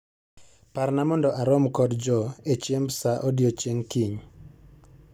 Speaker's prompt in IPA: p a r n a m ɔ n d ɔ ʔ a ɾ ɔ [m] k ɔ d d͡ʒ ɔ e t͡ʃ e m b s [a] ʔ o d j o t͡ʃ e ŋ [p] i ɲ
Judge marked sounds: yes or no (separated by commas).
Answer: yes, yes, no